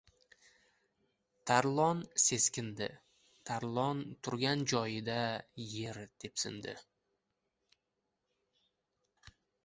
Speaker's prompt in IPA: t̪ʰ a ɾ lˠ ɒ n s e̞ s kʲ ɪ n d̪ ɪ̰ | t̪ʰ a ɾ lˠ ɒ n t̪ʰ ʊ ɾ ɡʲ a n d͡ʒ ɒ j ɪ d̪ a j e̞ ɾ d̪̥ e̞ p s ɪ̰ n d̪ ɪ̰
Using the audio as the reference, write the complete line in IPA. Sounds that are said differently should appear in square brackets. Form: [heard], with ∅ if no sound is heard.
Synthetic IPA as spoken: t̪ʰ a ɾ lˠ ɒ n s e̞ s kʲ ɪ n d̪ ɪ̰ | t̪ʰ a ɾ lˠ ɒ n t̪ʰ ʊ ɾ ɡʲ a n d͡ʒ ɒ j ɪ d̪ a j e̞ ɾ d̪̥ e̞ p s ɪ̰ n d̪ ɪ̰